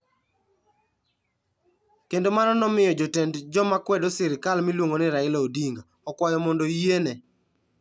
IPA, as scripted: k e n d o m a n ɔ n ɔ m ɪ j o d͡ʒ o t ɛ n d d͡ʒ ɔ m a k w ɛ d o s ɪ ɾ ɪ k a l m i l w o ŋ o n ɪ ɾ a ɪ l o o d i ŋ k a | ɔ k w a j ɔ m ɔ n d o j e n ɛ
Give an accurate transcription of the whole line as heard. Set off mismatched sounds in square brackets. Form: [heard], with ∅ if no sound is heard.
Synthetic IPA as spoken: k e n d o m a n ɔ n ɔ m ɪ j [ɔ] d͡ʒ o t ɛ n d d͡ʒ ɔ m a k w ɛ d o s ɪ ɾ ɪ k a l m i l w o ŋ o n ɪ ɾ a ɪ l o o d i ŋ [ɡ] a | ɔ k w a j ɔ m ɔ n d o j e n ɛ